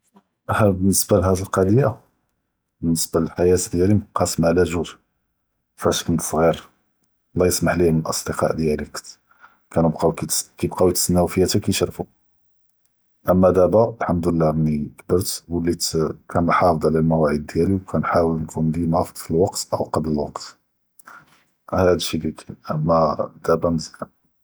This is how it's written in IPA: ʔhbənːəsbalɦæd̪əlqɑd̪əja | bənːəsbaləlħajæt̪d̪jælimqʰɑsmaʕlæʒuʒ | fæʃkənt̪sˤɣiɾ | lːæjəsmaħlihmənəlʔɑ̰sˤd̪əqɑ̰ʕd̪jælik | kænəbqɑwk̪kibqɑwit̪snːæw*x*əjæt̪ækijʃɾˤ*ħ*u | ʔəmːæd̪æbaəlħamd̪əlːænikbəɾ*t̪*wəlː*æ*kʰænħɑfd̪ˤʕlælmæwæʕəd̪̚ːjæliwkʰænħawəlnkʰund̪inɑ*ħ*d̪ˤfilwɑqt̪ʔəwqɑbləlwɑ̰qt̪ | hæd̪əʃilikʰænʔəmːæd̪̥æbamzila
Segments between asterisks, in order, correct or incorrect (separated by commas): incorrect, incorrect, correct, incorrect, incorrect